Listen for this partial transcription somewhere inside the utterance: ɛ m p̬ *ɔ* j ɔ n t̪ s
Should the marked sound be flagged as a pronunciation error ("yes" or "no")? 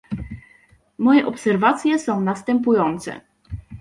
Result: yes